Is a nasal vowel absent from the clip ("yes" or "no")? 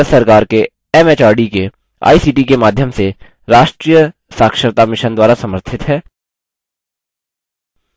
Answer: yes